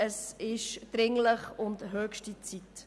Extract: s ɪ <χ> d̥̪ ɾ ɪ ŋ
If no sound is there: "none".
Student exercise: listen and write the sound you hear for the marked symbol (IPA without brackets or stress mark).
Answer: ʃ